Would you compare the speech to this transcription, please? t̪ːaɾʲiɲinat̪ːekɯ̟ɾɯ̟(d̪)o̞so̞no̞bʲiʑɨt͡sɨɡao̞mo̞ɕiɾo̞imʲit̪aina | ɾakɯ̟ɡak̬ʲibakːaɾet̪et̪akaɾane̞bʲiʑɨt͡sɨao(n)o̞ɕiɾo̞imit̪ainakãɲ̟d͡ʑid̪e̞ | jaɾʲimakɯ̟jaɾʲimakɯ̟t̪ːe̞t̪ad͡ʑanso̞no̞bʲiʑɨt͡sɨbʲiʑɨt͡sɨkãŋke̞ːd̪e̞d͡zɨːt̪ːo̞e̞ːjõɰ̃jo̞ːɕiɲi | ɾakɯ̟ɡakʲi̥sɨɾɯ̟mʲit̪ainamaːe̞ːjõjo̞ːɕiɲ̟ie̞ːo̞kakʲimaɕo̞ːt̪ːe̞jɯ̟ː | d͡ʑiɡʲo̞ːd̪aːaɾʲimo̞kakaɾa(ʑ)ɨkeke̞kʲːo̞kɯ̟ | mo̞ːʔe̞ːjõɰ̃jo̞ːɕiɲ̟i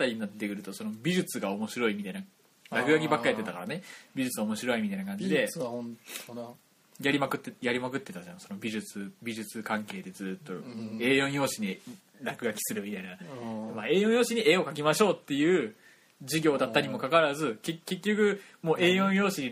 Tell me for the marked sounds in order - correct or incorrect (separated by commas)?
incorrect, incorrect, incorrect